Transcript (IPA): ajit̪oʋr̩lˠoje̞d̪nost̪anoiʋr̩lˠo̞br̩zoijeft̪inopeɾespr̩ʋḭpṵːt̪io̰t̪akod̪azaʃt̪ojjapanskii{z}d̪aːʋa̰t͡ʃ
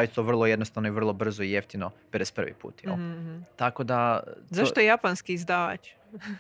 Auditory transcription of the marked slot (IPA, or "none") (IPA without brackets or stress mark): z